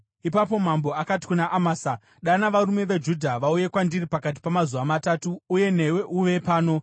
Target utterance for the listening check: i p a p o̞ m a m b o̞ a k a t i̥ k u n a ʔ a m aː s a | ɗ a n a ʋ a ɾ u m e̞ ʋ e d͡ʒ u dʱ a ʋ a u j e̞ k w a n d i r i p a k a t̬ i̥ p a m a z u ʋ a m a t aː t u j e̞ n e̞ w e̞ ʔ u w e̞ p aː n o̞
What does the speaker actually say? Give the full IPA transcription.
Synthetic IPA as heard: i p a p o̞ m a m b o̞ a k a t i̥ k u n a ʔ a m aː s a | ɗ a n a ʋ a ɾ u m e̞ ʋ e d͡ʒ u dʱ a ʋ a u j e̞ k w a n d i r i p a k a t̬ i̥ p a m a z u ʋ a m a t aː t uː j e̞ n e̞ w e̞ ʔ u ʋ e̞ p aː n o̞